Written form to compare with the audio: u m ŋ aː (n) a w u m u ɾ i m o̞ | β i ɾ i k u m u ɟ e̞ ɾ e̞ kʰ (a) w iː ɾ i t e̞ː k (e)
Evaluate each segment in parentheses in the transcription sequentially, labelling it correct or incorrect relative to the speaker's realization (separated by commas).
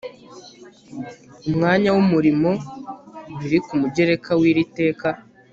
incorrect, correct, incorrect